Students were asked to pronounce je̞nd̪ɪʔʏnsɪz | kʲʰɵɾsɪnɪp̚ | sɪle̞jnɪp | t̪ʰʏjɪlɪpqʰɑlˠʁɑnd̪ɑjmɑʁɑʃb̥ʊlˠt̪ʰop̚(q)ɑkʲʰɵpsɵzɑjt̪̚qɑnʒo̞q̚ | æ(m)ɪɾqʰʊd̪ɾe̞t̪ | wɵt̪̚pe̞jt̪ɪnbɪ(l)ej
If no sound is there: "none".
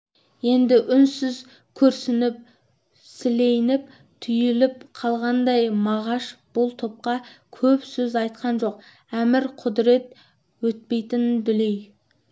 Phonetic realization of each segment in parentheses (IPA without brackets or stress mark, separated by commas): q, m, l